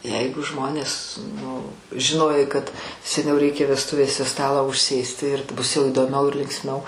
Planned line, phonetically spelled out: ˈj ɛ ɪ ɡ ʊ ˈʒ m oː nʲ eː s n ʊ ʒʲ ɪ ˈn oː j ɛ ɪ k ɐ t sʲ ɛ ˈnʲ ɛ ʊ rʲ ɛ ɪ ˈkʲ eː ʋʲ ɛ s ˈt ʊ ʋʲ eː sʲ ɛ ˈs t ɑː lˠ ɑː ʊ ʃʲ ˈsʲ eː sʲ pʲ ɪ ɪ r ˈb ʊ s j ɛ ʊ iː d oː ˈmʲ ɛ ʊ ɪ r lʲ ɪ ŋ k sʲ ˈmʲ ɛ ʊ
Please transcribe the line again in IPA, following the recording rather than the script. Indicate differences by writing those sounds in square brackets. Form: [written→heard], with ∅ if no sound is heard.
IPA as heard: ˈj ɛ ɪ ɡ ʊ ˈʒ m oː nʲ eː s n ʊ ʒʲ ɪ ˈn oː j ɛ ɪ k ɐ t sʲ ɛ ˈnʲ ɛ ʊ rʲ ɛ ɪ ˈkʲ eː ʋʲ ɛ s ˈt ʊ ʋʲ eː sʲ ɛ ˈs t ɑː lˠ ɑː ʊ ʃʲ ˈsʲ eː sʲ [pʲ→tʲ] ɪ ɪ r ˈb ʊ s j ɛ ʊ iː d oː ˈmʲ ɛ ʊ ɪ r lʲ ɪ ŋ k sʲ ˈmʲ ɛ ʊ

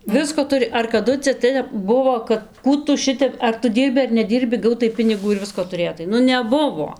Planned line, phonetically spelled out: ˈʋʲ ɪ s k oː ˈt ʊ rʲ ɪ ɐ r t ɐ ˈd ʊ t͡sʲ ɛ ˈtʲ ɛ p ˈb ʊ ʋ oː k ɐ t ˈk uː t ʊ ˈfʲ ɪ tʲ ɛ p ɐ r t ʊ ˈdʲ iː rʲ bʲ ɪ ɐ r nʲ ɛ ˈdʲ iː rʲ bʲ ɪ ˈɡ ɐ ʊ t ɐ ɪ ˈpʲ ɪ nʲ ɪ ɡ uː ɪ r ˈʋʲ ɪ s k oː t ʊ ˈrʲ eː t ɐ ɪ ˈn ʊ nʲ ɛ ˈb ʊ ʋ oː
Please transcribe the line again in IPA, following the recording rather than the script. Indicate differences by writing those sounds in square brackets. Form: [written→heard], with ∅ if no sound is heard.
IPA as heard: ˈʋʲ ɪ s k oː ˈt ʊ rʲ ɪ ɐ r [t→k] ɐ ˈd ʊ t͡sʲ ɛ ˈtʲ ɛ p ˈb ʊ ʋ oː k ɐ t ˈk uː t ʊ [ˈfʲ→ˈʃʲ] ɪ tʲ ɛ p ɐ r t ʊ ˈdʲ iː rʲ bʲ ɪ ɐ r nʲ ɛ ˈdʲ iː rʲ bʲ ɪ ˈɡ ɐ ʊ t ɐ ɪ ˈpʲ ɪ nʲ ɪ ɡ uː ɪ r ˈʋʲ ɪ s k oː t ʊ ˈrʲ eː t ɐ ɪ ˈn ʊ nʲ ɛ ˈb ʊ ʋ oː

